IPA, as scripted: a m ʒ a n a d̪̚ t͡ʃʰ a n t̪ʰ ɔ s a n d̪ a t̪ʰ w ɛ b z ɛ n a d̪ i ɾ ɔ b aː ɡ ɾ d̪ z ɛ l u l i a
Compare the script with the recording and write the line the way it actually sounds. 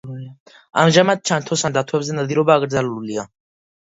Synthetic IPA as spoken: a m ʒ a m a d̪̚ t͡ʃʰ a n t̪ʰ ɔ s a n d̪ a t̪ʰ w ɛ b z ɛ n a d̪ i ɾ ɔ b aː ɡ ɾ d̪ z a l u l i a